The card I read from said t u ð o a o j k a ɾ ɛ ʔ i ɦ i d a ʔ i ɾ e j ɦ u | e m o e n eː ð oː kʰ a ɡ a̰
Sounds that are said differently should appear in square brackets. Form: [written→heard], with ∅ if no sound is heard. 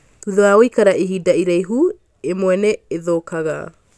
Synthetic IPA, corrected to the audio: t u ð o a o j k a ɾ [ɛ→a] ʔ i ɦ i d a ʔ i ɾ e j ɦ u | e m o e n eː ð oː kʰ a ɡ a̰